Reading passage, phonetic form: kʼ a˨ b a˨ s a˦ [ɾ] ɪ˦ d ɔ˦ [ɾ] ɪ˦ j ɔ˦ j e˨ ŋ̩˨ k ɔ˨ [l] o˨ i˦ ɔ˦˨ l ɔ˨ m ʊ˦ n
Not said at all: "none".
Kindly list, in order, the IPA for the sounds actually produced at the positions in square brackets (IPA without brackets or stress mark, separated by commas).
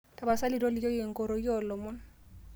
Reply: l, l, ɾ